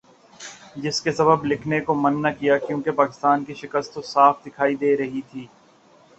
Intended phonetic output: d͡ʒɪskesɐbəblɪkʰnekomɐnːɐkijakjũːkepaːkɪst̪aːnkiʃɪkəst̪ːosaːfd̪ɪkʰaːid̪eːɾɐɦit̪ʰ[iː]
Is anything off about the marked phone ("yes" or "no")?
no